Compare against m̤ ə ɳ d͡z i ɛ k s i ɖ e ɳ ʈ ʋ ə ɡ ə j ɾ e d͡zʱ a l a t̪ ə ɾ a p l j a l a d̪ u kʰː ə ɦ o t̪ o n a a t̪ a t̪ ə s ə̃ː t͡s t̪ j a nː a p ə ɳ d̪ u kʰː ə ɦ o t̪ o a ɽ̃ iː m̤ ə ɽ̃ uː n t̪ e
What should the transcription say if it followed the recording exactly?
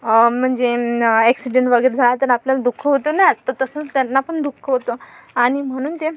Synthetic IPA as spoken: m̤ ə ɳ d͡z e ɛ k s i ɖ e ɳ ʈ ʋ ə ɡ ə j ɾ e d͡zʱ a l a t̪ ə ɾ a p l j a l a d̪ u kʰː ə ɦ o t̪ o n a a t̪ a t̪ ə s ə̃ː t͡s t̪ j a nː a p ə ɳ d̪ u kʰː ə ɦ o t̪ o a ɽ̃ i m̤ ə ɽ̃ uː n t̪ e